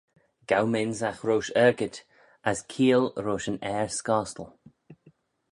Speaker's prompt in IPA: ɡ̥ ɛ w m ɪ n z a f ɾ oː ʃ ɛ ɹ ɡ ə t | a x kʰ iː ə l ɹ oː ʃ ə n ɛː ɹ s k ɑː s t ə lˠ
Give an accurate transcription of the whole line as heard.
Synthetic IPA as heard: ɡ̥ a w m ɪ n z a x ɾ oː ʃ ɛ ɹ ɡ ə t | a s kʰ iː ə l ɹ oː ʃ ə n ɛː ɹ s k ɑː s t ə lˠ